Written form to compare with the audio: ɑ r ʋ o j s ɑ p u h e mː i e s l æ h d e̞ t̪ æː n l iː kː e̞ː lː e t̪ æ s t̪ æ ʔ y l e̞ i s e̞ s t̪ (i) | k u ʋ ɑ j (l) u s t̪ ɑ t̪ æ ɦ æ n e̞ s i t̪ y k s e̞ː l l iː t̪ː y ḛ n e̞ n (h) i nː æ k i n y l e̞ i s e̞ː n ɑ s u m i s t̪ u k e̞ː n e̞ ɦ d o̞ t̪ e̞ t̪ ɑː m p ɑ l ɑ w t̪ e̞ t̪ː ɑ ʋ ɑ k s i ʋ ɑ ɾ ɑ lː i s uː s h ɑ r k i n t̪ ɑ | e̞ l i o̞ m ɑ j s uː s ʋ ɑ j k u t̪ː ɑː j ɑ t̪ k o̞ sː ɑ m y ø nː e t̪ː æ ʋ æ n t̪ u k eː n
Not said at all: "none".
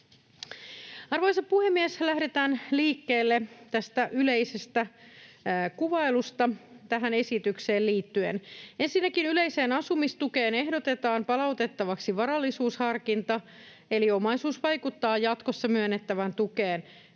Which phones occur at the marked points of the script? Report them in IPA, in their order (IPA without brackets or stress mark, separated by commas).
æ, l, s